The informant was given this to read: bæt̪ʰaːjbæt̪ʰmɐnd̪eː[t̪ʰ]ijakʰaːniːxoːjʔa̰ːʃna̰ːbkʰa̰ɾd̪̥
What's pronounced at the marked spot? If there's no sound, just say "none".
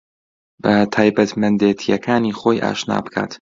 t̪ʰ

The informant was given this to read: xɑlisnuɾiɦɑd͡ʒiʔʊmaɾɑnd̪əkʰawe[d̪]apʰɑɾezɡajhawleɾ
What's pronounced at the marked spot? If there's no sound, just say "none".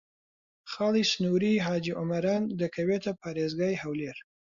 t̪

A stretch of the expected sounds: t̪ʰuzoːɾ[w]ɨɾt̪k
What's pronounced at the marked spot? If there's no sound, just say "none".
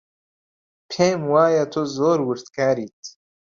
w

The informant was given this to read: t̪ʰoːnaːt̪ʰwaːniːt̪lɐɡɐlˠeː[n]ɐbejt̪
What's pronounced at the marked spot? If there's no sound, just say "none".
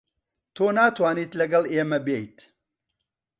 m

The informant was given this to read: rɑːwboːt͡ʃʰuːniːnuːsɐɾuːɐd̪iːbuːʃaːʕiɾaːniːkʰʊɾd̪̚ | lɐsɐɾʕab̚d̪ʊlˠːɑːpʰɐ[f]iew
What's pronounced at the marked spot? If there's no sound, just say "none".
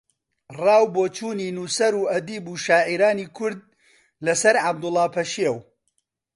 ʃ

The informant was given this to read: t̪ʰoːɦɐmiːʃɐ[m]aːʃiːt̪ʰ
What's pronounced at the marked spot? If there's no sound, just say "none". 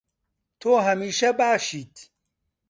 b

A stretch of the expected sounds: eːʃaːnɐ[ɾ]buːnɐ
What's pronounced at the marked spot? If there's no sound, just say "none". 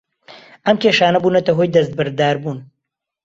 none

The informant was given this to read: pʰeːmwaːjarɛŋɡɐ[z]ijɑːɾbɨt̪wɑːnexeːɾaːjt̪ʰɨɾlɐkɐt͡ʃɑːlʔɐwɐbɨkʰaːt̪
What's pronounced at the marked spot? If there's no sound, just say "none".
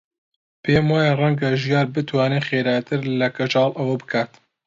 ʒ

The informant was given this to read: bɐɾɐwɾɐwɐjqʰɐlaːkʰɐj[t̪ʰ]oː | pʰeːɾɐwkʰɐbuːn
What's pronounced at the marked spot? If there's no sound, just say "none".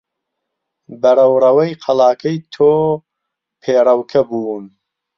t̪ʰ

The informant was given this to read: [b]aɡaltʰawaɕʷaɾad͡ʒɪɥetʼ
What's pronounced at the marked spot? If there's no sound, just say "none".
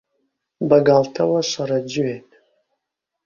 b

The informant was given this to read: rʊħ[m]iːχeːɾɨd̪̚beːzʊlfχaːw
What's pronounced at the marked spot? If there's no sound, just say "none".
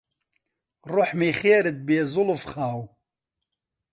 m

